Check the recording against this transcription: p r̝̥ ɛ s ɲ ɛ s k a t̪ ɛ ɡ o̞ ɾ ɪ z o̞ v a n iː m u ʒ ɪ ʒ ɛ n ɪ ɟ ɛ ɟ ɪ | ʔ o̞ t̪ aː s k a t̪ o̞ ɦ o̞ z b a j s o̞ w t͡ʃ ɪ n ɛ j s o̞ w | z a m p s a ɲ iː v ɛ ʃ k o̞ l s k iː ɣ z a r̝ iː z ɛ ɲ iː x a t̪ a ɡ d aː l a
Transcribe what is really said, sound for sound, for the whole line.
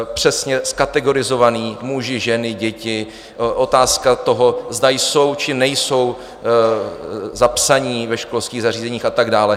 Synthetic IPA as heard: p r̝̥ ɛ s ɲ ɛ s k a t̪ ɛ ɡ o̞ ɾ ɪ z o̞ v a n iː m u ʒ ɪ ʒ ɛ n ɪ ɟ ɛ c ɪ | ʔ o̞ t̪ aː s k a t̪ o̞ ɦ o̞ z d a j s o̞ w t͡ʃ ɪ n ɛ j s o̞ w | z a p s a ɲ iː v ɛ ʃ k o̞ l s k iː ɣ z a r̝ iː z ɛ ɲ iː x a t̪ a ɡ d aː l ɛ

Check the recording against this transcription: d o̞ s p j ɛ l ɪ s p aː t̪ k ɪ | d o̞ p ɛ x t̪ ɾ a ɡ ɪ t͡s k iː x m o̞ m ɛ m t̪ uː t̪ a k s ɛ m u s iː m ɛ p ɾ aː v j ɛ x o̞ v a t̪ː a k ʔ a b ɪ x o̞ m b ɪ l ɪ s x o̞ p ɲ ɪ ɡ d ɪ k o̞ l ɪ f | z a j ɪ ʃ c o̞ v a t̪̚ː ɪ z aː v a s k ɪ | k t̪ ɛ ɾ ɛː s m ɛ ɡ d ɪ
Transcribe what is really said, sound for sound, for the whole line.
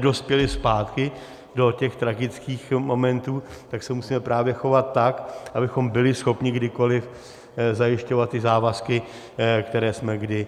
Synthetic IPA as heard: d o̞ s p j ɛ l ɪ s p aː t̪ k ɪ | d o̞ c ɛ x t̪ ɾ a ɡ ɪ t͡s k iː x m o̞ m ɛ n t̪ uː t̪ a k s ɛ m u s iː m ɛ p ɾ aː v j ɛ x o̞ v a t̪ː a k ʔ a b ɪ x o̞ m b ɪ l ɪ s x o̞ p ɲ ɪ ɡ d ɪ k o̞ l ɪ f | z a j ɪ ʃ c o̞ v a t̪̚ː ɪ z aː v a s k ɪ | k t̪ ɛ ɾ ɛː s m ɛ ɡ d ɪ

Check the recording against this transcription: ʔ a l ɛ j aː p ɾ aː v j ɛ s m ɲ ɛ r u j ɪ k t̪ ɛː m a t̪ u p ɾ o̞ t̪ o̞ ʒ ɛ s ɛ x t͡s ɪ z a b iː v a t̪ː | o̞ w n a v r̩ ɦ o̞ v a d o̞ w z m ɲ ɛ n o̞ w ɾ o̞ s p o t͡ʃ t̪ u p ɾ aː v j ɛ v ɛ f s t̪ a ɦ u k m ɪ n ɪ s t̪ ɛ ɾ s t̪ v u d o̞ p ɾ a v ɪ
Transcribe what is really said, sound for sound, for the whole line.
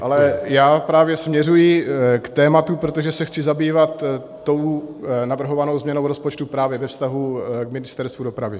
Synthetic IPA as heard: ʔ a l ɛ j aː p ɾ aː v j ɛ s m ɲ ɛ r u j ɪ k t̪ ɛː m a t̪ u p ɾ o̞ t̪ o̞ ʒ ɛ s ɛ x t͡s ɪ z a b iː v a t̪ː | o̞ w n a v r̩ ɦ o̞ v a n o̞ w z m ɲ ɛ n o̞ w ɾ o̞ s p o t͡ʃ t̪ u p ɾ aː v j ɛ v ɛ f s t̪ a ɦ u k m ɪ n ɪ s t̪ ɛ ɾ s t̪ v u d o̞ p ɾ a v ɪ

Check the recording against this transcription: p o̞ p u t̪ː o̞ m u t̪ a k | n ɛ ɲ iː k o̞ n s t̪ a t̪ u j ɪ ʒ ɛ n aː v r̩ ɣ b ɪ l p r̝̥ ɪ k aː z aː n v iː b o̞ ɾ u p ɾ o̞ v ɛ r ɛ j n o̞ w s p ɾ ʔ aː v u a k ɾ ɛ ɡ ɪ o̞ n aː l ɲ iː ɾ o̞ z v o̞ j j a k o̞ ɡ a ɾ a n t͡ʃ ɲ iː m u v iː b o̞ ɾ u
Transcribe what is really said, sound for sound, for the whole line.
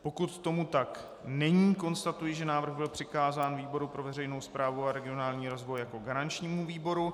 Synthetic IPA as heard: p o̞ k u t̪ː o̞ m u t̪ a k | n ɛ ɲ iː k o̞ n s t̪ a t̪ u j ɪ ʒ ɛ n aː v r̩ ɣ b ɪ l p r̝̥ ɪ k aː z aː n v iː b o̞ ɾ u p ɾ o̞ v ɛ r ɛ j n o̞ w s p ɾ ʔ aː v u a ɾ ɛ ɡ ɪ o̞ n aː l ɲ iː ɾ o̞ z v o̞ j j a k o̞ ɡ a ɾ a n t͡ʃ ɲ iː m u v iː b o̞ ɾ u

